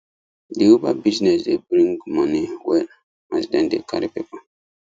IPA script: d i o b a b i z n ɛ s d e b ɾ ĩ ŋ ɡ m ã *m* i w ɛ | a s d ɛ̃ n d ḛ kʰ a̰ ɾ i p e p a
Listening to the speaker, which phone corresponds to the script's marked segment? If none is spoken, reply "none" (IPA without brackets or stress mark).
n